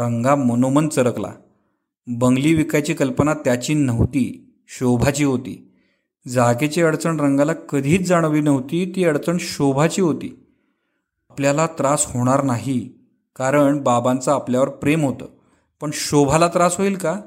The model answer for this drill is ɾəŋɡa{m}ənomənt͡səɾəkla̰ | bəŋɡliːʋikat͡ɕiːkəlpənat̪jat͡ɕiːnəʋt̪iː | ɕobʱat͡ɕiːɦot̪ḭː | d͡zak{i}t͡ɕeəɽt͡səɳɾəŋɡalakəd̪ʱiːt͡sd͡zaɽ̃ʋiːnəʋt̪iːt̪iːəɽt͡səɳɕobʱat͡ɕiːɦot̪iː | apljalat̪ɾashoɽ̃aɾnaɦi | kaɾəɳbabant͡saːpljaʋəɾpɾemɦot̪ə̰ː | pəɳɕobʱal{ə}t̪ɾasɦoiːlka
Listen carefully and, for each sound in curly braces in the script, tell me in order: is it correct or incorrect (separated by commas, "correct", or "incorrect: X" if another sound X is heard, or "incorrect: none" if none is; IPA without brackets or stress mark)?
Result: correct, incorrect: e, incorrect: a